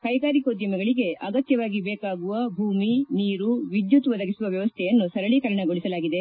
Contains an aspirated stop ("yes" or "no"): yes